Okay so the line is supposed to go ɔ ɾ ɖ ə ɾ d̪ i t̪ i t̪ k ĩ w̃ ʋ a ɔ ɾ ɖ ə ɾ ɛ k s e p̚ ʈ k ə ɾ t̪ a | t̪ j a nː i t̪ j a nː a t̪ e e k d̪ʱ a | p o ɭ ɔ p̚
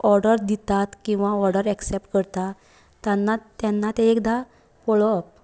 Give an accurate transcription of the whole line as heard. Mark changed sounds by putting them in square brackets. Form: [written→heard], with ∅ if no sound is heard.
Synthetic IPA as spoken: ɔ ɾ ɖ ə ɾ d̪ i t̪ [i→a] t̪ k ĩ w̃ ʋ a ɔ ɾ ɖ ə ɾ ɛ k s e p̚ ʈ k ə ɾ t̪ a | t̪ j a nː [i→a] t̪ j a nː a t̪ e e k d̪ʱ a | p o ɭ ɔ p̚